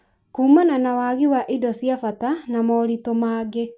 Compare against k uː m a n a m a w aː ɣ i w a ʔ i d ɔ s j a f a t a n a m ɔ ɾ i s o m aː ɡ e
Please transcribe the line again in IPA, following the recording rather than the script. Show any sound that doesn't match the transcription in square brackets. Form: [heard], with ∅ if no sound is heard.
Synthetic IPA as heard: k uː m a n a [n] a w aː ɣ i w a ʔ i d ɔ s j a f a t a n a m ɔ ɾ i [t] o m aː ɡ e